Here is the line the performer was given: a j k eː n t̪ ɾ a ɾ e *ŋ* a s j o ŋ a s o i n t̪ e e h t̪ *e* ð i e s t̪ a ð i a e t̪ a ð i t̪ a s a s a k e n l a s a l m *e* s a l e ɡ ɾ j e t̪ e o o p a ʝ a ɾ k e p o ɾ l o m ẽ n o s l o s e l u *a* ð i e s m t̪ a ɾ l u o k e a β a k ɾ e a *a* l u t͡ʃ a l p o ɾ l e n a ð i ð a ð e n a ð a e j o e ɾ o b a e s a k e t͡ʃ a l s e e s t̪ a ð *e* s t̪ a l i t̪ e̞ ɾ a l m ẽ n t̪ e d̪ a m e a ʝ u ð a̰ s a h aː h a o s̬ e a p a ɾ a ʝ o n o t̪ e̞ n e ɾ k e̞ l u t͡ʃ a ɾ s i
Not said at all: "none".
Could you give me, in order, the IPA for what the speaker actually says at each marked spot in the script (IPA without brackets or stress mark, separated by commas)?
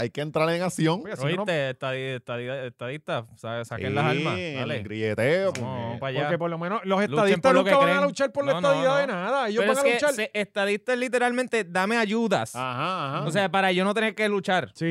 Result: ŋ, a, a, a, a, i